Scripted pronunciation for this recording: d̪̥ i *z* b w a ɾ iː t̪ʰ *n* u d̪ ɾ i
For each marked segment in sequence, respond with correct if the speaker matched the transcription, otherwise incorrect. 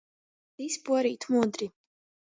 incorrect, incorrect

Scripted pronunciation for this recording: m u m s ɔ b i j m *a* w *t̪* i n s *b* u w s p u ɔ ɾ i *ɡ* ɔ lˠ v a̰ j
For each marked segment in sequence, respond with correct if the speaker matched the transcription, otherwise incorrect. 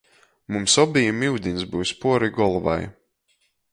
incorrect, incorrect, correct, correct

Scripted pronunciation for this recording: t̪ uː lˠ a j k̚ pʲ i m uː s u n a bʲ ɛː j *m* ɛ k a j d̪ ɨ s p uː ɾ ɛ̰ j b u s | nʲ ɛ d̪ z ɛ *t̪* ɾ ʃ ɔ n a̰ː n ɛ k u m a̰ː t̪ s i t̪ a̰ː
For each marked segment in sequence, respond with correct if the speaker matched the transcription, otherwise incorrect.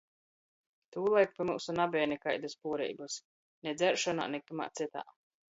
incorrect, incorrect

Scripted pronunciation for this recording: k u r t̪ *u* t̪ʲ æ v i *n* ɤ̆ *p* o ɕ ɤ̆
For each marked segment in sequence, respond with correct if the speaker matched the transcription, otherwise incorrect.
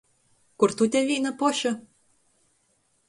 correct, correct, correct

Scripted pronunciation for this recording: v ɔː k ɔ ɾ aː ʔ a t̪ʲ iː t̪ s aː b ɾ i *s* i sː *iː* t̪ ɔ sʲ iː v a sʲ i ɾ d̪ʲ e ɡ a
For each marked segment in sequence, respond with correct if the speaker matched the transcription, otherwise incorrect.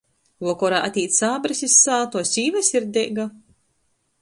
correct, incorrect

